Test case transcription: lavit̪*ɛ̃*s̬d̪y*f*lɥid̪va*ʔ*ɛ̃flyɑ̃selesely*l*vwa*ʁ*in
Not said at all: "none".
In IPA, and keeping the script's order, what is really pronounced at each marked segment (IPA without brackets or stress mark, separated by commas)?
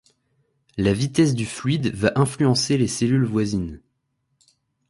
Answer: ɛ, f, ʔ, l, z